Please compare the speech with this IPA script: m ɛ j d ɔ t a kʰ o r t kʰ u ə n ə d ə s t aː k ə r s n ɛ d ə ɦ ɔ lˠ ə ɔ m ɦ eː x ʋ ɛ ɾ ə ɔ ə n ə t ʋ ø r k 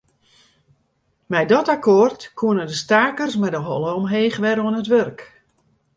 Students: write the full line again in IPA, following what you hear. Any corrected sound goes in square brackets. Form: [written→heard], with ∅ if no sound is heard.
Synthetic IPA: m ɛ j d ɔ t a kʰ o r t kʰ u ə n ə d ə s t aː k ə r s [n→m] ɛ d ə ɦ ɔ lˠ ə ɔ m ɦ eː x ʋ ɛ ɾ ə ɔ ə n ə t ʋ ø r k